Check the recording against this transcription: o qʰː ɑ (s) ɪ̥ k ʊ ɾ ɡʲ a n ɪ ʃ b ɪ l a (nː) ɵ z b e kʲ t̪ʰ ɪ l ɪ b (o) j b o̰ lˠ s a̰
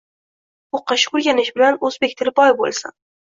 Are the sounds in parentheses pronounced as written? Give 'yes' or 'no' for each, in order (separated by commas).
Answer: no, no, no